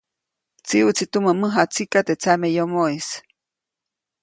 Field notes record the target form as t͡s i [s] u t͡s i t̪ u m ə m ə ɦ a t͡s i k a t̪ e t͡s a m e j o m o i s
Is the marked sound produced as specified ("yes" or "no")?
no